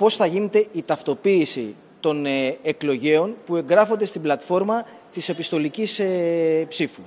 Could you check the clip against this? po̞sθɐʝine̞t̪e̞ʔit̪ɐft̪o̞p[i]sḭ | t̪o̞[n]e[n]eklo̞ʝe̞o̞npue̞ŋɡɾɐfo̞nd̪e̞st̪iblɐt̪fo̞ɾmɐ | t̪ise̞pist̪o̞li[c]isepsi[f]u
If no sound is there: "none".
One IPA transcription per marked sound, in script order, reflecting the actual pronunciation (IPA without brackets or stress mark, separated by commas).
iː, n, none, c, f